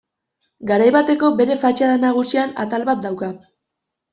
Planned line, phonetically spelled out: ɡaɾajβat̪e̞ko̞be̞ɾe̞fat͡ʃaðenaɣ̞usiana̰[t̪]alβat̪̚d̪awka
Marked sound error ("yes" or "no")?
no